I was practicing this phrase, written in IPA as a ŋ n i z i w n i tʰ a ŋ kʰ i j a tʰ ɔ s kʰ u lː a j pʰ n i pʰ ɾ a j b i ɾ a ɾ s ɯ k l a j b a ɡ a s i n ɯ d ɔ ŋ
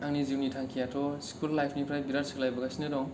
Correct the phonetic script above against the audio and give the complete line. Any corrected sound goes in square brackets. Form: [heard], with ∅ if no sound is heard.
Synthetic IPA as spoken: a ŋ n i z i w n i tʰ a ŋ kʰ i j a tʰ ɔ s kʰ u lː a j pʰ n i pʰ ɾ a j b i ɾ a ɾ s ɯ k l a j b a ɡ a s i n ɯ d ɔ ŋ